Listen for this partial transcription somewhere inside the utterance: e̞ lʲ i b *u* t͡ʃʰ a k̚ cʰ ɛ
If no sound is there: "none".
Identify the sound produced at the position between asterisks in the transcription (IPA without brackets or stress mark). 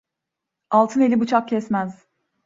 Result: u